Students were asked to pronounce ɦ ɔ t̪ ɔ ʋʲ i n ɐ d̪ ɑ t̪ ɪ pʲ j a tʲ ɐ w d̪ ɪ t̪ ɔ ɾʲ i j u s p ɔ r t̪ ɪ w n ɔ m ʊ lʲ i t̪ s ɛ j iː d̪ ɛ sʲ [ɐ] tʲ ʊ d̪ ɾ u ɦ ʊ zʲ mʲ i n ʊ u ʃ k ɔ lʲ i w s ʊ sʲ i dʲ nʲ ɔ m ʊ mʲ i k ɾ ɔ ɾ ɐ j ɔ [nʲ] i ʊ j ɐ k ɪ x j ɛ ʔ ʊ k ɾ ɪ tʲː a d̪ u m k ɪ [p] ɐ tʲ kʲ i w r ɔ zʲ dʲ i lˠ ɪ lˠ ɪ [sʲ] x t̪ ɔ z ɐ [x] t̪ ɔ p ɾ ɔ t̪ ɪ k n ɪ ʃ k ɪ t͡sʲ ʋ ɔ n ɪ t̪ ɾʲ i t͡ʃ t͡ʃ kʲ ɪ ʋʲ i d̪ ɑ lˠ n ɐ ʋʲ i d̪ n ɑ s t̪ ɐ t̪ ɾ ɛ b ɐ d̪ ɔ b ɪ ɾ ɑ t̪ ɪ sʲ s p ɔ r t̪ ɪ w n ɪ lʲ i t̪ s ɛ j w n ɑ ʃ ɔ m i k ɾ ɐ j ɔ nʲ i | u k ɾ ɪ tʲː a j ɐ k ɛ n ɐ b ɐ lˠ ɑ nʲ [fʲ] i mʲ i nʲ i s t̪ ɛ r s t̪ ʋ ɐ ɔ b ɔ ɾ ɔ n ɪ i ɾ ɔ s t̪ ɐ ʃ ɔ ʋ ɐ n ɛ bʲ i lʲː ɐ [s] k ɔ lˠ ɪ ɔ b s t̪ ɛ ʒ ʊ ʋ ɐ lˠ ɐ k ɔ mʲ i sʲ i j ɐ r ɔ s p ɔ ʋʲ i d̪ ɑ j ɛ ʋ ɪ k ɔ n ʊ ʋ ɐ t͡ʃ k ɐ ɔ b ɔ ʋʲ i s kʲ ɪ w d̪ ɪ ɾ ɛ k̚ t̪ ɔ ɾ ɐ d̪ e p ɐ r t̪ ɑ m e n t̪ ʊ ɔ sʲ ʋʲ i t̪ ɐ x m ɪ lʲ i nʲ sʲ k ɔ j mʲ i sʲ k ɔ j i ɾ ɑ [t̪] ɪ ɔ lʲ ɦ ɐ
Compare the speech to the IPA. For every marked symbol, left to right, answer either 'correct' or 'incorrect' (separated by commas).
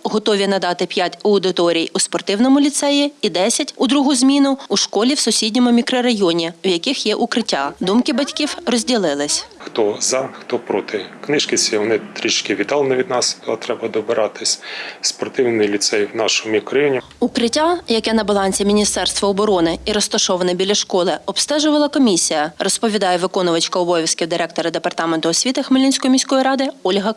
correct, correct, incorrect, correct, correct, incorrect, incorrect, incorrect